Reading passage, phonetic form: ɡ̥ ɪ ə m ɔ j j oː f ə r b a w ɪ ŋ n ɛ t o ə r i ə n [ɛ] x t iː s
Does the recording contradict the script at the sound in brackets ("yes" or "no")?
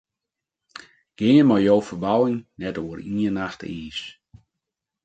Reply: yes